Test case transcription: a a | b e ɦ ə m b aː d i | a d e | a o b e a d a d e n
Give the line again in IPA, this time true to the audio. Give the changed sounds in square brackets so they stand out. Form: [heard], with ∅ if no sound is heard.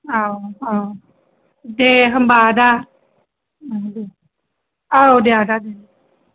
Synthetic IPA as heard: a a | [d] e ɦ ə m b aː d [a] | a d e | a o [d] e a d a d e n